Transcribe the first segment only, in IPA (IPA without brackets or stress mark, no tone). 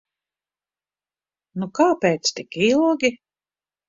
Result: n